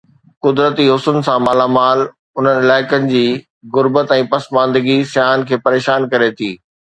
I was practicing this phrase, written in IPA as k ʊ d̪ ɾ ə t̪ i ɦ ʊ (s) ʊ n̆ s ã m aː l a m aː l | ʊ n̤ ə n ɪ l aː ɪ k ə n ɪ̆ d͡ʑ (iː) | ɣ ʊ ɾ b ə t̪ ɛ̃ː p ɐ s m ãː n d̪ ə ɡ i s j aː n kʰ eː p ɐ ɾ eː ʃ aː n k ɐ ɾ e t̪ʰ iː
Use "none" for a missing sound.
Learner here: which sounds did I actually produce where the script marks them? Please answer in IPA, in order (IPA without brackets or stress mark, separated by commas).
s, iː